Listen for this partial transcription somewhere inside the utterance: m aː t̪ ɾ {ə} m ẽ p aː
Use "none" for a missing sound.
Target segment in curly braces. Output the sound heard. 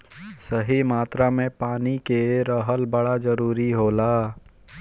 a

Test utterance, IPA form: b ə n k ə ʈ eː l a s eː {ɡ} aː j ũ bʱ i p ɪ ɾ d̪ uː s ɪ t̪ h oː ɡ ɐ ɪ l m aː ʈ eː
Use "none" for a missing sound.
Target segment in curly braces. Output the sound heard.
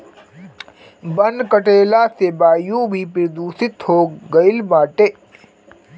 b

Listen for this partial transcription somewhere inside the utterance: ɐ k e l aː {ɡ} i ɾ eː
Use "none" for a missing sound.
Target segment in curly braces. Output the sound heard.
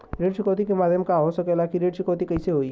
k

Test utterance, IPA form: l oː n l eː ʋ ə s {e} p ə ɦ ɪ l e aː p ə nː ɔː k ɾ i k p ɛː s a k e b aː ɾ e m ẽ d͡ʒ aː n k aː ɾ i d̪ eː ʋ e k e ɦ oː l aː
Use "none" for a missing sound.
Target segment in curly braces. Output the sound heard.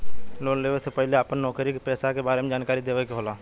e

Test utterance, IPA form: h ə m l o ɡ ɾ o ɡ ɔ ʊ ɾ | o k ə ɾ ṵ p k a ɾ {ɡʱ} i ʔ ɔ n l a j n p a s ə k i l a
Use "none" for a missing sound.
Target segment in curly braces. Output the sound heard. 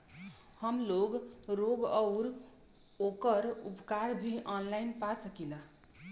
bʱ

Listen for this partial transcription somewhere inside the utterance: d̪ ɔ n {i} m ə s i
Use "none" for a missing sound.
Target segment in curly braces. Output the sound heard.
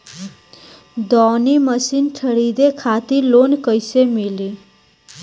i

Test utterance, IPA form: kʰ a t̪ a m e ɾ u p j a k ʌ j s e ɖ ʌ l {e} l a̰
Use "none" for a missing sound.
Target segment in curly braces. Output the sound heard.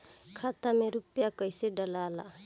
a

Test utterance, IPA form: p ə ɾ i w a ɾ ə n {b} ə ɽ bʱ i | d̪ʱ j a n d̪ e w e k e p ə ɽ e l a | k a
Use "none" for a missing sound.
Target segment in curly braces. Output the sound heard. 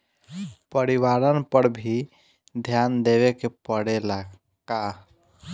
p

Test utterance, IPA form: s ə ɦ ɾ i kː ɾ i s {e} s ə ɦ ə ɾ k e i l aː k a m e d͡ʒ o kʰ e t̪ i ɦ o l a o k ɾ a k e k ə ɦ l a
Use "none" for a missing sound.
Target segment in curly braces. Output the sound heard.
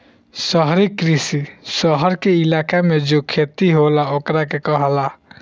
i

